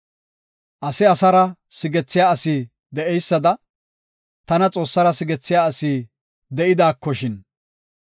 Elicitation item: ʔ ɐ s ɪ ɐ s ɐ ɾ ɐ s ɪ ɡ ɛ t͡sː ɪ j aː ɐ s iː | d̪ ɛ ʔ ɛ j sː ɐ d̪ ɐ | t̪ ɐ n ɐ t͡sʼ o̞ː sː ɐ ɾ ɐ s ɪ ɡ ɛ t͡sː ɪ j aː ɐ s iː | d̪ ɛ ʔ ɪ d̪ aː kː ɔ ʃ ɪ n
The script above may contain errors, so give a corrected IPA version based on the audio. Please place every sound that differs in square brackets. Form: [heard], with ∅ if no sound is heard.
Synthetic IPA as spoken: ʔ ɐ s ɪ ɐ s ɐ ɾ ɐ s ɪ ɡ ɛ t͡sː ɪ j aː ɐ s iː | d̪ ɛ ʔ ɛ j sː ɐ d̪ ɐ | t̪ ɐ n ɐ t͡sʼ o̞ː sː ɐ ɾ ɐ s ɪ ɡ ɛ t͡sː ɪ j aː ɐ s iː | d̪ ɛ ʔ ɪ d̪ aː kː ɔ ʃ ɪ n

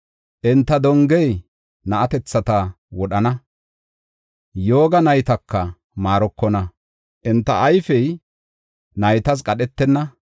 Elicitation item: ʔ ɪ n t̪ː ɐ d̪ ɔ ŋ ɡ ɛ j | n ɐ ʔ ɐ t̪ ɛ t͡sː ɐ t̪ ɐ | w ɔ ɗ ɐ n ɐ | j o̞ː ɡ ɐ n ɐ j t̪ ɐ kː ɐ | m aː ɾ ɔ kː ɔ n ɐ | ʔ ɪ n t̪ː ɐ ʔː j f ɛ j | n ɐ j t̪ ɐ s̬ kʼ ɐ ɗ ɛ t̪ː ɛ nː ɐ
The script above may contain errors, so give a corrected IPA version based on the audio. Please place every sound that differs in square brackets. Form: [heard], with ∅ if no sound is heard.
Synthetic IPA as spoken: ʔ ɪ n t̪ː ɐ d̪ ɔ ŋ ɡ ɛ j | n ɐ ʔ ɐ t̪ ɛ t͡sː ɐ t̪ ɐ | w ɔ ɗ ɐ n ɐ | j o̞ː ɡ ɐ n ɐ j t̪ ɐ kː ɐ | m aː ɾ ɔ kː ɔ n ɐ | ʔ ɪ n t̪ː ɐ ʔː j f ɛ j | n ɐ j t̪ ɐ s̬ kʼ ɐ ɗ ɛ t̪ː ɛ nː ɐ

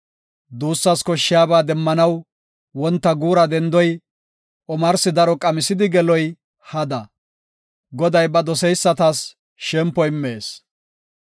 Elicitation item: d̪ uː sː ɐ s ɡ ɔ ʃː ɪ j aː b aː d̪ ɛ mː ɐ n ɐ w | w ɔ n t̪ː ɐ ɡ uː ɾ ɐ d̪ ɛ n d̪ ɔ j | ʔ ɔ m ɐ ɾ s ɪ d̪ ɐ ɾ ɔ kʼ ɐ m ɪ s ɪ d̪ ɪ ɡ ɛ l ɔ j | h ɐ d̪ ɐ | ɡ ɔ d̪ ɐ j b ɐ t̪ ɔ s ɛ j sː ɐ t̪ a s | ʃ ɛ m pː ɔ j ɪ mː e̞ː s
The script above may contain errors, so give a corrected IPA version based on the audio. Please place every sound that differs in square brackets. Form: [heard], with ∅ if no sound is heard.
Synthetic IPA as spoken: d̪ uː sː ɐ s [k] ɔ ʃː ɪ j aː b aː d̪ ɛ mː ɐ n ɐ w | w ɔ n t̪ː ɐ ɡ uː ɾ ɐ d̪ ɛ n d̪ ɔ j | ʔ ɔ m ɐ ɾ s ɪ d̪ ɐ ɾ ɔ kʼ ɐ m ɪ s ɪ d̪ ɪ ɡ ɛ l ɔ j | h ɐ d̪ ɐ | ɡ ɔ d̪ ɐ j b ɐ [d̪] ɔ s ɛ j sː ɐ t̪ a s | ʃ ɛ m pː ɔ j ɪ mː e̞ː s

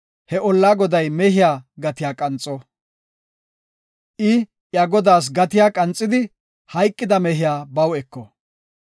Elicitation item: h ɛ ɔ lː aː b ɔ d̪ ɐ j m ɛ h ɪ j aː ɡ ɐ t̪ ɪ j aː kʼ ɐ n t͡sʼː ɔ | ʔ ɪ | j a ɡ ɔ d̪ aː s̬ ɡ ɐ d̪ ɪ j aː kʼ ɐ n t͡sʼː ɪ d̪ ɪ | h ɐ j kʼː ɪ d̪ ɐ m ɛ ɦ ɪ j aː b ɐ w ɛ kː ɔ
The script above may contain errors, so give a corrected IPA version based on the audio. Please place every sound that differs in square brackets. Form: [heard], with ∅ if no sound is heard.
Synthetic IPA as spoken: h ɛ ɔ lː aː [ɡ] ɔ d̪ ɐ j m ɛ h ɪ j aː ɡ ɐ t̪ ɪ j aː kʼ ɐ n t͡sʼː ɔ | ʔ ɪ | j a ɡ ɔ d̪ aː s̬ ɡ ɐ [t̪] ɪ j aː kʼ ɐ n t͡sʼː ɪ d̪ ɪ | h ɐ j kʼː ɪ d̪ ɐ m ɛ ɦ ɪ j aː b ɐ w ɛ kː ɔ

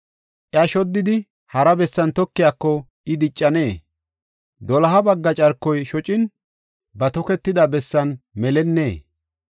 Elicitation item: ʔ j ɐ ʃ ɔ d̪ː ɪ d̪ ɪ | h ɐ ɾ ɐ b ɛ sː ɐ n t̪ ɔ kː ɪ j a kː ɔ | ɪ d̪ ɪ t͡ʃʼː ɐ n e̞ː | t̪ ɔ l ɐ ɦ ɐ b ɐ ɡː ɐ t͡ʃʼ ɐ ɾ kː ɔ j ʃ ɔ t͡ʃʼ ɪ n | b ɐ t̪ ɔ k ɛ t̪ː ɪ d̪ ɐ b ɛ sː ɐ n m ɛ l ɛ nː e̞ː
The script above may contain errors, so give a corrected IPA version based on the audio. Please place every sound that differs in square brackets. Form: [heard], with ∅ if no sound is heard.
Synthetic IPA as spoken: ʔ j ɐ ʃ ɔ d̪ː ɪ d̪ ɪ | h ɐ ɾ ɐ b ɛ sː ɐ n t̪ ɔ kː ɪ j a kː ɔ | ɪ d̪ ɪ t͡ʃʼː ɐ n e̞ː | [d̪] ɔ l ɐ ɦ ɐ b ɐ ɡː ɐ t͡ʃʼ ɐ ɾ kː ɔ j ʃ ɔ t͡ʃʼ ɪ n | b ɐ t̪ ɔ k ɛ t̪ː ɪ d̪ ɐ b ɛ sː ɐ n m ɛ l ɛ nː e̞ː

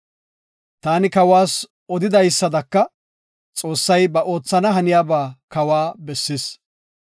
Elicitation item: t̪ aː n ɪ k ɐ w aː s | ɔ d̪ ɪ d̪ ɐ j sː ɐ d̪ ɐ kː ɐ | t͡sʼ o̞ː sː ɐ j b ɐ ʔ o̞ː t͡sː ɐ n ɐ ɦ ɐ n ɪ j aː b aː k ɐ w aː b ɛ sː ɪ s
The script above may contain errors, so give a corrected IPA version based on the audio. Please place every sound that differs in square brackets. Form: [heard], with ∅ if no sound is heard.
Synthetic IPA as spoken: t̪ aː n ɪ k ɐ w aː s | ɔ d̪ ɪ d̪ ɐ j sː ɐ d̪ ɐ kː ɐ | t͡sʼ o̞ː sː ɐ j b ɐ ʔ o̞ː t͡sː ɐ n ɐ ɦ ɐ n ɪ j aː b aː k ɐ w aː b ɛ sː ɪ s

